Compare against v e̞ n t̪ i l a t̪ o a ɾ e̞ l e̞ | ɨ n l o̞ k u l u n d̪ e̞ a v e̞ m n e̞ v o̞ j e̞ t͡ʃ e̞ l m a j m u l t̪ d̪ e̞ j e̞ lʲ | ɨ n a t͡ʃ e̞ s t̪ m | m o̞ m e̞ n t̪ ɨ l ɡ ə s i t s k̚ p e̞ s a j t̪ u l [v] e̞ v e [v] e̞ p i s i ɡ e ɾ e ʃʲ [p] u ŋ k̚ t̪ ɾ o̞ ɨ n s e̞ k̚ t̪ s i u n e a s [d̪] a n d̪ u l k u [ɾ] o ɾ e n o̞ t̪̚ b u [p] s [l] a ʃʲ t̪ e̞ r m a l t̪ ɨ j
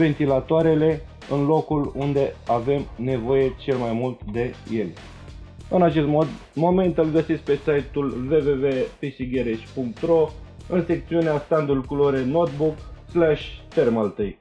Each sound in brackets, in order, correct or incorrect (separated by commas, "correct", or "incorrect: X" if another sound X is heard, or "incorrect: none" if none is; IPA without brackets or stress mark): correct, correct, correct, incorrect: t̪, incorrect: l, incorrect: k, correct